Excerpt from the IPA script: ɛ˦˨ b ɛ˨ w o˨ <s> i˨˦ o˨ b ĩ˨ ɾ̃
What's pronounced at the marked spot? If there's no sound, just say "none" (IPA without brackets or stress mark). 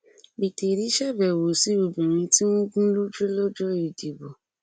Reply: s